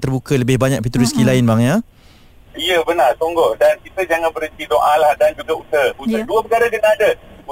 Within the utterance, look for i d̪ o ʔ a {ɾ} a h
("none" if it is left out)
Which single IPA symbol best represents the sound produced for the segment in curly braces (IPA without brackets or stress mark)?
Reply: l